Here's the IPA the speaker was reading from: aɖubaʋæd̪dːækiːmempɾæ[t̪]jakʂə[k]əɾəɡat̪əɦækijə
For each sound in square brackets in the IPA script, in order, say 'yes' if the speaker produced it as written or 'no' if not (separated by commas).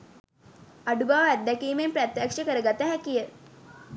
yes, yes